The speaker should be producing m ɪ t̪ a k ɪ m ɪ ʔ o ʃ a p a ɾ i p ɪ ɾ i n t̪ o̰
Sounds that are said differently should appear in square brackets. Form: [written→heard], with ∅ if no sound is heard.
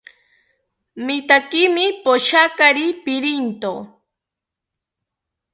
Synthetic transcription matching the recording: m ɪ t̪ a k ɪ m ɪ [ʔ→p] o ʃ a [p→k] a ɾ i p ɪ ɾ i n t̪ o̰